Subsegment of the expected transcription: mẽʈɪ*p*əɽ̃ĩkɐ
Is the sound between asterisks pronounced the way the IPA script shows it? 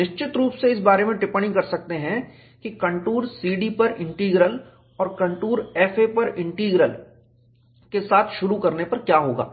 yes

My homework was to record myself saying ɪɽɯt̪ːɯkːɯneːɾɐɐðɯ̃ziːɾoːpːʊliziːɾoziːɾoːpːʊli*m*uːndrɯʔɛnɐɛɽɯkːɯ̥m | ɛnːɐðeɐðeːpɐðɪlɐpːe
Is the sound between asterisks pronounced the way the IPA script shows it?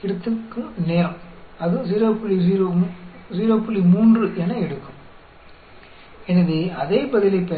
yes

